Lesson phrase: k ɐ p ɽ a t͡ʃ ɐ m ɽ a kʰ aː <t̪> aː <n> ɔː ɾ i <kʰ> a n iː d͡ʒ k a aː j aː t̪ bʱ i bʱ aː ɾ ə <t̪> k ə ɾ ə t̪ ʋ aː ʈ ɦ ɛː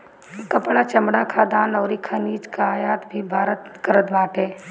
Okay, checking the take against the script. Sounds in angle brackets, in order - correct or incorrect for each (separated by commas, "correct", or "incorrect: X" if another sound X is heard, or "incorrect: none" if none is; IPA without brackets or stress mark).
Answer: incorrect: d̪, correct, correct, correct